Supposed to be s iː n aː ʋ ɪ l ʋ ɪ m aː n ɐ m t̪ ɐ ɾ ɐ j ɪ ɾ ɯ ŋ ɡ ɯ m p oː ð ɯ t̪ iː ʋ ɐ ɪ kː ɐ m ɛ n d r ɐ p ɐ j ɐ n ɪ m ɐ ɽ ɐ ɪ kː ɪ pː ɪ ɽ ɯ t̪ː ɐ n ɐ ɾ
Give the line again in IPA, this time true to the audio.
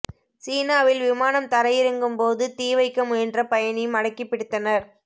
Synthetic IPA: s iː n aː ʋ ɪ l ʋ ɪ m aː n ɐ m t̪ ɐ ɾ ɐ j ɪ ɾ ɯ ŋ ɡ ɯ m p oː ð ɯ t̪ iː ʋ ɐ ɪ kː ɐ m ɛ n d r ɐ p ɐ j ɐ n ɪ m ɐ ɽ ɐ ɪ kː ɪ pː ɪ ɽ ɯ t̪ː ɐ n ɐ ɾ